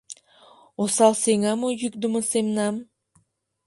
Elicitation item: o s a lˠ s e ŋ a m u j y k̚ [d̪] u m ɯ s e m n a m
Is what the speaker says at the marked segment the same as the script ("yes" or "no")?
yes